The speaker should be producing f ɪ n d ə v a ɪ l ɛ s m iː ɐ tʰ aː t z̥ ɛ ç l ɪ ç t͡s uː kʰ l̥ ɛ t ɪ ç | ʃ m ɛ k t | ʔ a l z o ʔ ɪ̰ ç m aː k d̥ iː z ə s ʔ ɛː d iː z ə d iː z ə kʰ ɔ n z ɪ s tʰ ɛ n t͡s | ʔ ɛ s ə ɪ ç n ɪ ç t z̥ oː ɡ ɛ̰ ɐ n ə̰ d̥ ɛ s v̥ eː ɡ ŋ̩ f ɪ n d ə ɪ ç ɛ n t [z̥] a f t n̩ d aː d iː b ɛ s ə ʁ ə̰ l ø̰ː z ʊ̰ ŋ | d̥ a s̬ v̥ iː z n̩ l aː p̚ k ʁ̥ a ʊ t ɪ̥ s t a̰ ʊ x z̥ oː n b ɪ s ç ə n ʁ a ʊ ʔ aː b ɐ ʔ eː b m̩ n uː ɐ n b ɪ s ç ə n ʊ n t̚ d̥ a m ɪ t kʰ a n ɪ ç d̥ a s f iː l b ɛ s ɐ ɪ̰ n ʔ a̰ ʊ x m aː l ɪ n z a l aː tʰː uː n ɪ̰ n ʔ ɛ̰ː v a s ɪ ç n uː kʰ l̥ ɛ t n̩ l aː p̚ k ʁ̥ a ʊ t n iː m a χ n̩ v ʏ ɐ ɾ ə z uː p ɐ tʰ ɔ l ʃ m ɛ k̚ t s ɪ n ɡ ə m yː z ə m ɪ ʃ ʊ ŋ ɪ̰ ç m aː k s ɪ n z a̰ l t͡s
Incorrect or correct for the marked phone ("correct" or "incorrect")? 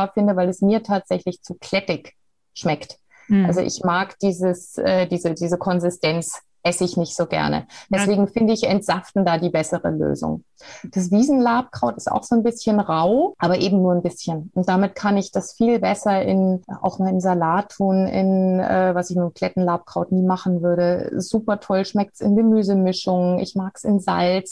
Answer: correct